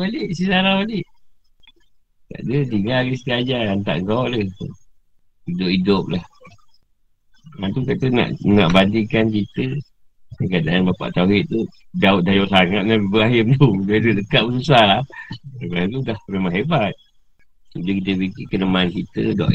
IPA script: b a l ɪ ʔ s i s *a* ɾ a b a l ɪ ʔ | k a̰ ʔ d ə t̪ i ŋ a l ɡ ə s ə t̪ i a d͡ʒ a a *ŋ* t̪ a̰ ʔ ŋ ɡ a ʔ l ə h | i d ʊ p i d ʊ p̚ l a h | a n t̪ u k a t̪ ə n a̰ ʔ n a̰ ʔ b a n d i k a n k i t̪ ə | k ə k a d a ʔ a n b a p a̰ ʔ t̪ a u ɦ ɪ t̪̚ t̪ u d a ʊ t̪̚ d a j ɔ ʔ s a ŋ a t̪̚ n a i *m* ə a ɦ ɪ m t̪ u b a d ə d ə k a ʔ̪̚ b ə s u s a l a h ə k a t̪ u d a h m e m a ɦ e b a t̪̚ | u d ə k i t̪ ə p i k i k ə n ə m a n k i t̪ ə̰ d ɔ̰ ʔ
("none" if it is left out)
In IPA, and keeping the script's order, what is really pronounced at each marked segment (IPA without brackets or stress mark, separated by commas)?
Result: a, n, b